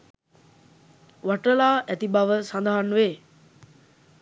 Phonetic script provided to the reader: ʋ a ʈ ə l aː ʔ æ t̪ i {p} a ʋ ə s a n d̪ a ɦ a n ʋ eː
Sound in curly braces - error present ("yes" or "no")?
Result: yes